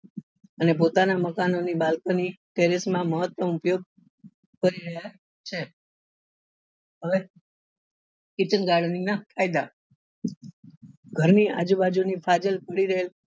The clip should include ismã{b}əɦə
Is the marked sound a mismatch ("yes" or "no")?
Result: yes